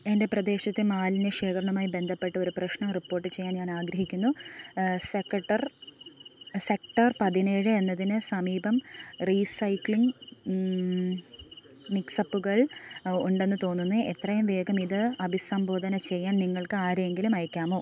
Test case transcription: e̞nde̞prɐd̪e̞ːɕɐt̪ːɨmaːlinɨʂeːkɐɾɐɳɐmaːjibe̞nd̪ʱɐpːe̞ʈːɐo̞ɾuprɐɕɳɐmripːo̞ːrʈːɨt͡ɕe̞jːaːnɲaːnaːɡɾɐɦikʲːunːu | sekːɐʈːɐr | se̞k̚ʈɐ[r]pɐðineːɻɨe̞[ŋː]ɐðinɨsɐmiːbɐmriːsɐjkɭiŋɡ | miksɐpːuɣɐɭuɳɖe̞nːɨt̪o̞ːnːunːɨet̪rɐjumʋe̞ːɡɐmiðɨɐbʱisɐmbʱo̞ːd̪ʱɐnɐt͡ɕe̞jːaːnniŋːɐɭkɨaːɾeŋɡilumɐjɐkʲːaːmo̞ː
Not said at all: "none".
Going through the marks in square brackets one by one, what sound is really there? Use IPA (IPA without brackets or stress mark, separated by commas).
r, nː